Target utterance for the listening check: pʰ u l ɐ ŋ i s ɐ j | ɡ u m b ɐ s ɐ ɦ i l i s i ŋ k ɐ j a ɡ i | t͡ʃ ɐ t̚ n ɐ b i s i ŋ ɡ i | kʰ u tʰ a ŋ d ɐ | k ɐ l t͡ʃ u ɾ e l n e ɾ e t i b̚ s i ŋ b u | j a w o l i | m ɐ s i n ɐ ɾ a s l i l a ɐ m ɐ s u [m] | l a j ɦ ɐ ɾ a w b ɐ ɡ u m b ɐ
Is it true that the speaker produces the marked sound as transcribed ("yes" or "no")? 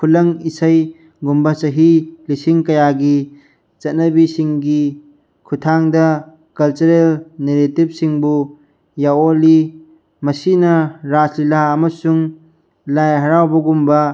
no